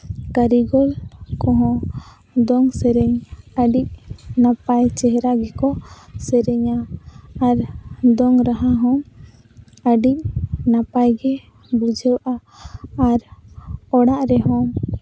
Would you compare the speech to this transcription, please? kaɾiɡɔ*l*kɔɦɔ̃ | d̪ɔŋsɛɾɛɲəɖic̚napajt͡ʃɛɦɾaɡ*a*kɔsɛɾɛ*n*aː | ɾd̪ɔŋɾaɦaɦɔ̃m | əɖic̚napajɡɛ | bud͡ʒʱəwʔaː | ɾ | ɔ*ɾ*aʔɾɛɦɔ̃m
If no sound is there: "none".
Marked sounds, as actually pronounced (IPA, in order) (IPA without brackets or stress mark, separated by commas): l, ɛ, ɲ, ɽ